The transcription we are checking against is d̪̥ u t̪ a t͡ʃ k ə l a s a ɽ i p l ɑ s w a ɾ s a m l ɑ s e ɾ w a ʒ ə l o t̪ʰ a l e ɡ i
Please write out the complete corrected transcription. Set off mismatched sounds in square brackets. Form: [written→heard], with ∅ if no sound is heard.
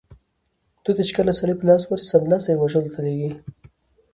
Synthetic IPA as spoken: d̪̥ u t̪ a t͡ʃ k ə l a s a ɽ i p l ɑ s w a ɾ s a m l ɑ s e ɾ w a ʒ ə l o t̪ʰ a l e ɡ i